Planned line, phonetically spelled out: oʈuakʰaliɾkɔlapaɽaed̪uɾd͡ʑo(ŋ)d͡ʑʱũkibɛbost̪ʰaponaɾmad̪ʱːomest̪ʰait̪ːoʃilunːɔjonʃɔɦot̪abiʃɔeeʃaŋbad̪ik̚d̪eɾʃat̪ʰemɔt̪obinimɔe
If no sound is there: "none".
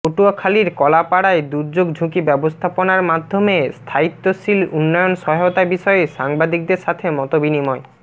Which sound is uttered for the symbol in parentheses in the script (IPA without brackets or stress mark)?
ɡ